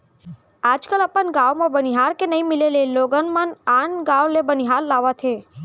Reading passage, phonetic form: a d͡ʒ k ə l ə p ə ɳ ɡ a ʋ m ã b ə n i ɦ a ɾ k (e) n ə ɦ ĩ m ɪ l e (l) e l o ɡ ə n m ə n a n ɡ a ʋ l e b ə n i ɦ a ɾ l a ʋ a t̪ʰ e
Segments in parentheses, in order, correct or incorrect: correct, correct

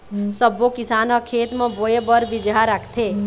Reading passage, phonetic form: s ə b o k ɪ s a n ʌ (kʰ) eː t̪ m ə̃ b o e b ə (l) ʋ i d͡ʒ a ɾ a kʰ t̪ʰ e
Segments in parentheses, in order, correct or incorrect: correct, incorrect: ɾ

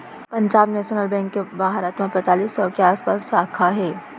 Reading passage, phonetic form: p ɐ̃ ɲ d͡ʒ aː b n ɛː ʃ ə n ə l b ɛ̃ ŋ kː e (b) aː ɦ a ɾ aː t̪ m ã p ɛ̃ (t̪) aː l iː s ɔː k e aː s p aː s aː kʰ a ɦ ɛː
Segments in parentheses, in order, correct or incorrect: correct, correct

